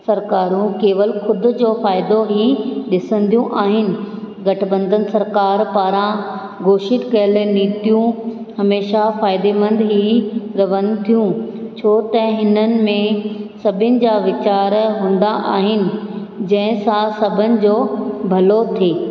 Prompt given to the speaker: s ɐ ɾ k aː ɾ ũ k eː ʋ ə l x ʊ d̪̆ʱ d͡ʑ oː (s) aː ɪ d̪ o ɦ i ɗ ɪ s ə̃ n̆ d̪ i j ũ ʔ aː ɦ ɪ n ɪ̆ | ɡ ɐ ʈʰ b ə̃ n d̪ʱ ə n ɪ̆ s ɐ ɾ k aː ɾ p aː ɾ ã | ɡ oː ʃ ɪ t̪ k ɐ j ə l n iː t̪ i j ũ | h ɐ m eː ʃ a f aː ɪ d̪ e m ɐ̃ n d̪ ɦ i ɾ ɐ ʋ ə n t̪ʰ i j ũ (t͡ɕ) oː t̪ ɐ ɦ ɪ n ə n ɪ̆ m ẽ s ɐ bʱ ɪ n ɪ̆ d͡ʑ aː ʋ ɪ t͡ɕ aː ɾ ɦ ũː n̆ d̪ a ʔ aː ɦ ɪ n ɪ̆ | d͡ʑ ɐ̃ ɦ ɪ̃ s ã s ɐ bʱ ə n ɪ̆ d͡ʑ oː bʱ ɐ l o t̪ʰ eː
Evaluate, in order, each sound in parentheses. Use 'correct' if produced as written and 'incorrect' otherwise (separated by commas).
incorrect, incorrect